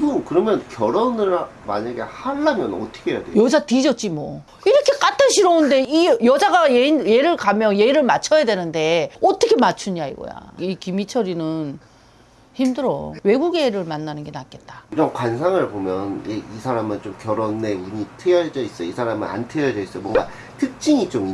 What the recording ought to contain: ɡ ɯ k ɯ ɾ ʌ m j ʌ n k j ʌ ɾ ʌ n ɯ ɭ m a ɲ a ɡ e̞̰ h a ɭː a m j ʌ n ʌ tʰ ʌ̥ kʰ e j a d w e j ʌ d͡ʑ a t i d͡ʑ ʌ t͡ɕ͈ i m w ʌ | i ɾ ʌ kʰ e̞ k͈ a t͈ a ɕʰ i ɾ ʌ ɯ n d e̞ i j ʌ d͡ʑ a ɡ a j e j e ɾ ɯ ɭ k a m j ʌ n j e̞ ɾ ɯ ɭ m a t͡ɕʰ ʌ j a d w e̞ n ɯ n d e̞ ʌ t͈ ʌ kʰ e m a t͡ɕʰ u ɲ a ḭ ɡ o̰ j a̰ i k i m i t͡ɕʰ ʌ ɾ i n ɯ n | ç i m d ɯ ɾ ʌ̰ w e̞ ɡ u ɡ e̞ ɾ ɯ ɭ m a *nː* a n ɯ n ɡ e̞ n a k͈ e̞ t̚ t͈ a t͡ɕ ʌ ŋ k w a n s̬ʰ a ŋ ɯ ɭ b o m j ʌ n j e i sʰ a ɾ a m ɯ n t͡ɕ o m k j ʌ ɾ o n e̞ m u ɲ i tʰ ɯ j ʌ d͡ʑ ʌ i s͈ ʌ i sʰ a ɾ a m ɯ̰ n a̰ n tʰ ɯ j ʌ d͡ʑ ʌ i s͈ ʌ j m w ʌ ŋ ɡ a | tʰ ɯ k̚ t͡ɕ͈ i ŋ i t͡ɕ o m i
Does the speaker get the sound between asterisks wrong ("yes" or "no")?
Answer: no